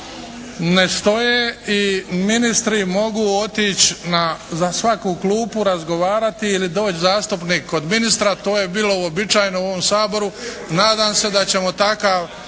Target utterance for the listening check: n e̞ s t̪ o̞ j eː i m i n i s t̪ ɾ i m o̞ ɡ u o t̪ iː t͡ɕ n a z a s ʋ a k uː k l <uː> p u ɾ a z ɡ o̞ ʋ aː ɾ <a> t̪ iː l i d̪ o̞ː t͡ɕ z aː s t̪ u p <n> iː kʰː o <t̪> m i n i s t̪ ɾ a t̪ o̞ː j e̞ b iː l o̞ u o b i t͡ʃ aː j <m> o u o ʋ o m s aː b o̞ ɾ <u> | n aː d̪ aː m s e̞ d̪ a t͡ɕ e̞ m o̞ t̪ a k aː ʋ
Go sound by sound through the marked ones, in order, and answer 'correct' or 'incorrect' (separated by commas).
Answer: correct, correct, correct, incorrect, incorrect, correct